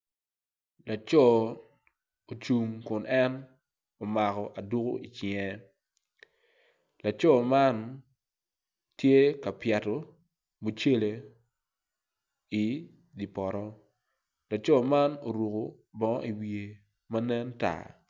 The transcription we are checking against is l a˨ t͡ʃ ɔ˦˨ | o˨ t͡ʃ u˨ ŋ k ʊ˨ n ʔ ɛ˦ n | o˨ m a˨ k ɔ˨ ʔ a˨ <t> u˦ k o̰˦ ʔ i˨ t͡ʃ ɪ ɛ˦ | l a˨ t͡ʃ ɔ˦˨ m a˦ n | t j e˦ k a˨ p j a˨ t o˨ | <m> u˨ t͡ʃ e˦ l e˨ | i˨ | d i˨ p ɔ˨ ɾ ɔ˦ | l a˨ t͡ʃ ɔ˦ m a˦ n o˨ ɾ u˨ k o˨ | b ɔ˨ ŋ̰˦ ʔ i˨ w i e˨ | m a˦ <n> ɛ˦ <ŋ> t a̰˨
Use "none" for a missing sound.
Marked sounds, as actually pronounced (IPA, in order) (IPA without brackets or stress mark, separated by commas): d, m, n, n